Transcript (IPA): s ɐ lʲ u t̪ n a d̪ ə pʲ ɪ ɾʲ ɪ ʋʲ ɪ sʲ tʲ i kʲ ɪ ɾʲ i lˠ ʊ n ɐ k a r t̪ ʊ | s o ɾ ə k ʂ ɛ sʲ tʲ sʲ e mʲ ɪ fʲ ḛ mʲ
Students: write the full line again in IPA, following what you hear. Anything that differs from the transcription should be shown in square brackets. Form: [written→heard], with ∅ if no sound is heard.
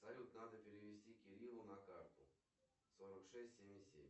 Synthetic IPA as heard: s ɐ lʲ u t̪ n a d̪ ə pʲ ɪ ɾʲ ɪ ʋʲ ɪ sʲ tʲ i kʲ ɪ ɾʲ i lˠ ʊ n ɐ k a r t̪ ʊ | s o ɾ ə k ʂ ɛ sʲ tʲ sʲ e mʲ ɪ [fʲ→sʲ] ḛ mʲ